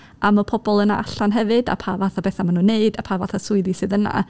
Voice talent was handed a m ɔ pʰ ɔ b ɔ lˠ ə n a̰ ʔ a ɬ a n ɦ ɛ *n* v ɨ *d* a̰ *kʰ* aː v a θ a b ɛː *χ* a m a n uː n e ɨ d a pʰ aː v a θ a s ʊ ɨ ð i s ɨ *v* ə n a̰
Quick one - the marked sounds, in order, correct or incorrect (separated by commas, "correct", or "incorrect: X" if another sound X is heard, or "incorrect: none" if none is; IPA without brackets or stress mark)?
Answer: incorrect: none, correct, incorrect: pʰ, incorrect: θ, incorrect: ð